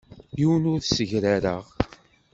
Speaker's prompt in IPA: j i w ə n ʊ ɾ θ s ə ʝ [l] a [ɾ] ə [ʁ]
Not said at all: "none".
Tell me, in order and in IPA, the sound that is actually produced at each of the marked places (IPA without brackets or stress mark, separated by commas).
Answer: ɾ, ɾ, ʁ